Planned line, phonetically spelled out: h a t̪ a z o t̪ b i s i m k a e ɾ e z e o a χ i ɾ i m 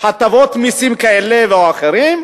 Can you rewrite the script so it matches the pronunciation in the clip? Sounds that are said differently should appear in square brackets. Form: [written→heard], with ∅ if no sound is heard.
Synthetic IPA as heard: h a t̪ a [z→v] o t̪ [b→m] i s i m k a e [ɾ→l] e [z→v] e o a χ [i→e] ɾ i m